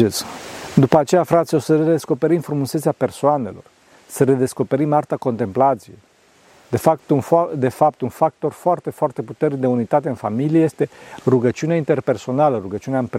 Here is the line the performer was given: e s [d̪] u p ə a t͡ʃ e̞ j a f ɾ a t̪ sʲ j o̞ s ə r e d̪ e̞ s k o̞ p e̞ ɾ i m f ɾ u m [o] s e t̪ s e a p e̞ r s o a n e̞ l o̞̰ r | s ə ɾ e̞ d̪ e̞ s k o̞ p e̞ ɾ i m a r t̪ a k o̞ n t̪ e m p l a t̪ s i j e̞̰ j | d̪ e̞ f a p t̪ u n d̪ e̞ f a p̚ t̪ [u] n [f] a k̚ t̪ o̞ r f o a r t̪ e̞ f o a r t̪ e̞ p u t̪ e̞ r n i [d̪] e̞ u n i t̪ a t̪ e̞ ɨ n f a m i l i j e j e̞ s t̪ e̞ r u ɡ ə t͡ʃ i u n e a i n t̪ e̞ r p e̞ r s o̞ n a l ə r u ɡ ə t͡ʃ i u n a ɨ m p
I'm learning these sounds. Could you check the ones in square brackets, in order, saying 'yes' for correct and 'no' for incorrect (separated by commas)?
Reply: yes, no, yes, yes, yes